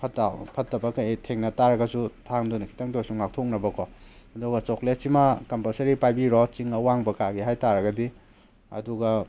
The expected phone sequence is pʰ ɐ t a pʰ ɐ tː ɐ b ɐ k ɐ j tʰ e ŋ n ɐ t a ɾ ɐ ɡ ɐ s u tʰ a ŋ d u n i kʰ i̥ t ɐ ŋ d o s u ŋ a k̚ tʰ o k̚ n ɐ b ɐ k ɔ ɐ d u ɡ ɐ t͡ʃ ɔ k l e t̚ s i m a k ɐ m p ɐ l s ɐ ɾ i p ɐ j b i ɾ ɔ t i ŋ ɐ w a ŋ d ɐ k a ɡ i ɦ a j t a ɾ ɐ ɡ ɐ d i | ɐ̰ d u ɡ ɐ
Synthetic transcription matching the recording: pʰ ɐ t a pʰ ɐ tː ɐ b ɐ k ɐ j tʰ e ŋ n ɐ t a ɾ ɐ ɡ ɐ s u tʰ a ŋ d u n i kʰ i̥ t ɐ ŋ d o s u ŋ a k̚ tʰ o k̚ n ɐ b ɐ k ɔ ɐ d u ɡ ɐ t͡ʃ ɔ k l e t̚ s i m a k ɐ m p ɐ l s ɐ ɾ i p a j b i ɾ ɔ t͡ʃ i ŋ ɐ w a ŋ b ɐ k a ɡ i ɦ a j t a ɾ ɐ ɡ ɐ d i | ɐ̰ d u ɡ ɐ